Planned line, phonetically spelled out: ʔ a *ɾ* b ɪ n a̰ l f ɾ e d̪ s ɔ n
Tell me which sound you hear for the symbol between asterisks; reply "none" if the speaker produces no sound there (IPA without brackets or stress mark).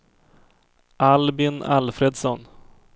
l